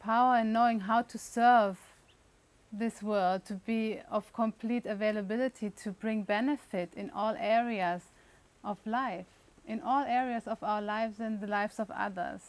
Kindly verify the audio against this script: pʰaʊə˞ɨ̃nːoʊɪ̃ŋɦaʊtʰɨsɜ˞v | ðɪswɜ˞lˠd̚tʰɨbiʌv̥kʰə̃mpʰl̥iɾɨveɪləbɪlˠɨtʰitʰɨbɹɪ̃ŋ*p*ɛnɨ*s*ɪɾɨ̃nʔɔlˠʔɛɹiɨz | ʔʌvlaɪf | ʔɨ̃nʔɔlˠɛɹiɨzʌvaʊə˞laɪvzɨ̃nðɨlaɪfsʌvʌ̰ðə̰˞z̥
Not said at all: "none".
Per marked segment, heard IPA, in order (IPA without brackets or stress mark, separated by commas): b, f